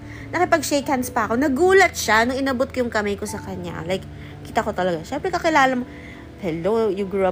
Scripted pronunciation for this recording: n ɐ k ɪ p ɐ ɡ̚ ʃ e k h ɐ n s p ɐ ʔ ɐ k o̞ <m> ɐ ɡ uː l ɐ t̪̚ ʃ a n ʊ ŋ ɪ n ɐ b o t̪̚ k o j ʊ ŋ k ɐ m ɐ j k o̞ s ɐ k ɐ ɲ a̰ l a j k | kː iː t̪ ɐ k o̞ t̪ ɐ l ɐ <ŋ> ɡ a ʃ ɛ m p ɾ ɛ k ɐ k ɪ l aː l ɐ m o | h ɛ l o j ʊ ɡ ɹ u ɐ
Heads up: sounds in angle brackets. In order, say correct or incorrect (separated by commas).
incorrect, incorrect